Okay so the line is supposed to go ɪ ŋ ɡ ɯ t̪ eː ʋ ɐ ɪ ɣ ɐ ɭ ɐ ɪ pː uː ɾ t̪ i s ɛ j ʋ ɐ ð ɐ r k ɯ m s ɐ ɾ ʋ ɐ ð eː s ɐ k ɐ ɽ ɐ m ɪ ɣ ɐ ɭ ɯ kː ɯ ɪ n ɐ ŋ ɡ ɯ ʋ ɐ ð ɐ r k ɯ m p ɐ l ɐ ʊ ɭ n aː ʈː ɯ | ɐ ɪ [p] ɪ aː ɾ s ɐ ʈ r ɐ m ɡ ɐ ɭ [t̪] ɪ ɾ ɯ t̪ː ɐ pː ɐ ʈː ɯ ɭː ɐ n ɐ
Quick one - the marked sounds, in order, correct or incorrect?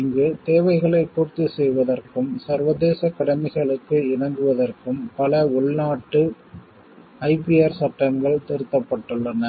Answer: correct, correct

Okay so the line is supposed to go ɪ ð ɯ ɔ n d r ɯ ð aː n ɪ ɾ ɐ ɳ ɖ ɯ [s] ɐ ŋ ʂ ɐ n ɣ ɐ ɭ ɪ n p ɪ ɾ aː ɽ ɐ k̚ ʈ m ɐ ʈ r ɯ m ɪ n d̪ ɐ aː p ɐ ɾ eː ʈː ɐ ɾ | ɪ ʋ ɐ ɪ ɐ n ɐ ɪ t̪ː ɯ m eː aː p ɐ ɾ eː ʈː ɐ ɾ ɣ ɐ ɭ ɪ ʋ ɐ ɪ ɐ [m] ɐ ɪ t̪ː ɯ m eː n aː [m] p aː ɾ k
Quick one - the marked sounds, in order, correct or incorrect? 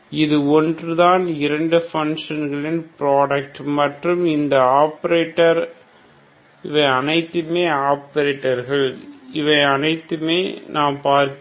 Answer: incorrect, incorrect, correct

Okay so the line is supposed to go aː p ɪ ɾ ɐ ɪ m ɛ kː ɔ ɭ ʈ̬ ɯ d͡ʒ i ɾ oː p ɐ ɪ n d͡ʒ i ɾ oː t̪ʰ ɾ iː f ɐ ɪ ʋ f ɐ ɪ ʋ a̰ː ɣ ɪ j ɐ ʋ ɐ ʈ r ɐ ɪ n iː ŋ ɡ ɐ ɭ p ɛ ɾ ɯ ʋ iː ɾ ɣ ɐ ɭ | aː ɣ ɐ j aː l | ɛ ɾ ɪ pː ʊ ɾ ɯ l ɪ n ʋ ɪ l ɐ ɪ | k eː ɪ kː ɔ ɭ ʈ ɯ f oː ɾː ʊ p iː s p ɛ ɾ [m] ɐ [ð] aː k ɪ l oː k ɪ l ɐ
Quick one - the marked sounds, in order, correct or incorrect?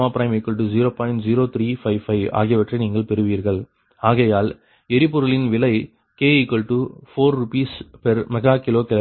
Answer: correct, incorrect

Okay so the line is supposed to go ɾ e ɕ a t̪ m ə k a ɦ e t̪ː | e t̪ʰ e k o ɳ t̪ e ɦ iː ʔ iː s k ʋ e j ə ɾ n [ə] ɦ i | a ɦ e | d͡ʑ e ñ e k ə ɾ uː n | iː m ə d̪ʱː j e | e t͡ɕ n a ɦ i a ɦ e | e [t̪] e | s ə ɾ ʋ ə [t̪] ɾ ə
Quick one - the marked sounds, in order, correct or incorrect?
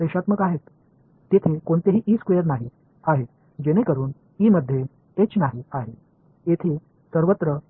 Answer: incorrect, incorrect, correct

